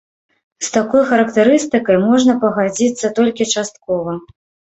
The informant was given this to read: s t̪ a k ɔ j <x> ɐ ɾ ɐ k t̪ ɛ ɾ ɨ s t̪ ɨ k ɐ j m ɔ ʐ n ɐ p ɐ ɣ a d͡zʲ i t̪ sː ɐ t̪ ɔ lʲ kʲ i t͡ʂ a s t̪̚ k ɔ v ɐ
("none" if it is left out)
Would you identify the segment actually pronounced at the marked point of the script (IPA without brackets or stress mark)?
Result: x